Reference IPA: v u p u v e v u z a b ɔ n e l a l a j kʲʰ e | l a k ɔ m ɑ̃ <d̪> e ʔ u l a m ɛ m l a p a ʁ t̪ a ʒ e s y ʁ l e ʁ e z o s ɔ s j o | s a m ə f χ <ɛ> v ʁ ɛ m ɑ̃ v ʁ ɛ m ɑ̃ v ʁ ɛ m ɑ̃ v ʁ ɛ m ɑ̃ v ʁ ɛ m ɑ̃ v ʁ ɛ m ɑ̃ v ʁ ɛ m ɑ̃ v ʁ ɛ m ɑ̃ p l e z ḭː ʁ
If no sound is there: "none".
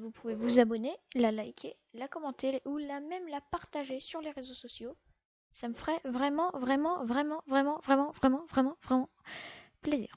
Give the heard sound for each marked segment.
t̪, ɛ

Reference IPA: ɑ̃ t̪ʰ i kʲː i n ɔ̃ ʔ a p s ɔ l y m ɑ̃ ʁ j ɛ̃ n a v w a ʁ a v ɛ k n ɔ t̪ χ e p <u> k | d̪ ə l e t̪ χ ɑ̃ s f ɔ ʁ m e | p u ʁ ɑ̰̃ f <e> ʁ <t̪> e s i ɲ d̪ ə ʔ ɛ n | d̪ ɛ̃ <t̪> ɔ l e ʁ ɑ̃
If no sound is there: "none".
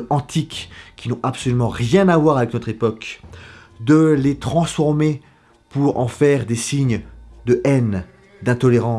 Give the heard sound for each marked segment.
ɔ, ɛ, d̪, t̪

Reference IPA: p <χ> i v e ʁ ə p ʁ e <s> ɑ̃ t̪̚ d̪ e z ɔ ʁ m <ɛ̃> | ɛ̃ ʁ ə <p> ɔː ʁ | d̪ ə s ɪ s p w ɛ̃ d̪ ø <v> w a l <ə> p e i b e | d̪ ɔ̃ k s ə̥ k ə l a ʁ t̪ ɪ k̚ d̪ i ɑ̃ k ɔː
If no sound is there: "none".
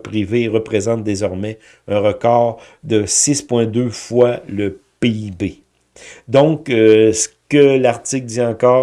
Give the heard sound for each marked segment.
ʁ, z, ɛ, k, f, ə

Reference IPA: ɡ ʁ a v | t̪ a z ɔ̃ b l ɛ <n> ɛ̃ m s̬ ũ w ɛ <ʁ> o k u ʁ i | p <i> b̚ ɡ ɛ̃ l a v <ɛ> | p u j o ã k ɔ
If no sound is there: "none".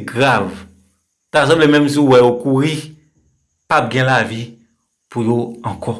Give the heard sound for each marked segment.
m, none, a, i

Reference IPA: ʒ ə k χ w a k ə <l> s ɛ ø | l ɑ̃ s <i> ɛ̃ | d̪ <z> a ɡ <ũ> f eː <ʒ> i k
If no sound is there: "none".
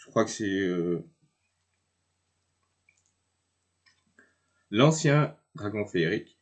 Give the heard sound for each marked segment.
none, j, ʁ, ɔ̃, ʁ

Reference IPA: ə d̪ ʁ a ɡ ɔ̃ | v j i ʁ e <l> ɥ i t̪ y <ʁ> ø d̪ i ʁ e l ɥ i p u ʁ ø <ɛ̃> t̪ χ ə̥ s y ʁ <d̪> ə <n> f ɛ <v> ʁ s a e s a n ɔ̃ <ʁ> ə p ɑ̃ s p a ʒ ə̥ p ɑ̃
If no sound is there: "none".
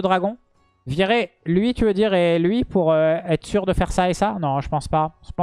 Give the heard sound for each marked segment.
l, v, ɛ, d̪, none, none, ʒ

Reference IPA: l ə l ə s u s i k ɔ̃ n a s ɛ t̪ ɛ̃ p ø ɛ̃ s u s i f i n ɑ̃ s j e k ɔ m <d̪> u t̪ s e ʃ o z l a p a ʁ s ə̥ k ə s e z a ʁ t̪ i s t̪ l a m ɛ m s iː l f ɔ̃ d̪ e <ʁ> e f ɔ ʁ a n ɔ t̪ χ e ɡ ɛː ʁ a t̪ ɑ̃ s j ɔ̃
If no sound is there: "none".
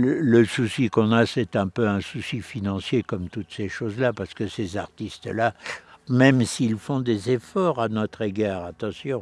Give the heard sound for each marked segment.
t̪, z

